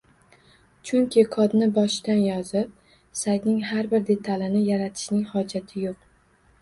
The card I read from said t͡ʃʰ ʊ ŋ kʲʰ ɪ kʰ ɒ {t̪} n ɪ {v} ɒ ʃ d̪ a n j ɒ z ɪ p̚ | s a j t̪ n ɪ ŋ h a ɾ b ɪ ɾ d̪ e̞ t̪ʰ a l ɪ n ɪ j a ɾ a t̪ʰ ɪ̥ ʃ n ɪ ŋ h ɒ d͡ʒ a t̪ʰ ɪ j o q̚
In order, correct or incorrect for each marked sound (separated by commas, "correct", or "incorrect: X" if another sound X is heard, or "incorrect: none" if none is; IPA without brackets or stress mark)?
incorrect: d̪, incorrect: b